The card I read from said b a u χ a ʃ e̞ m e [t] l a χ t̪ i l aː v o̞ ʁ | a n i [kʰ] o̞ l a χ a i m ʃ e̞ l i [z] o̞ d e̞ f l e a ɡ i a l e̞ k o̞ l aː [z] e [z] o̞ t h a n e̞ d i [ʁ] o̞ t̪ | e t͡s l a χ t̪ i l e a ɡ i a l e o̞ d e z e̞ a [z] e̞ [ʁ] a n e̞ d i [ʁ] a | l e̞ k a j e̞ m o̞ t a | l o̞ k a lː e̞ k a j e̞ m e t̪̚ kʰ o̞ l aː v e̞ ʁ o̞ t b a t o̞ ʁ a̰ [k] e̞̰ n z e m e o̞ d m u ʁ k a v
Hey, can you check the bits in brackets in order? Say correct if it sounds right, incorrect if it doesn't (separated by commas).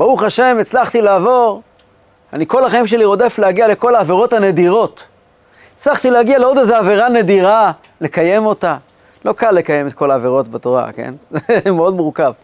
incorrect, incorrect, incorrect, incorrect, incorrect, correct, incorrect, correct, correct, correct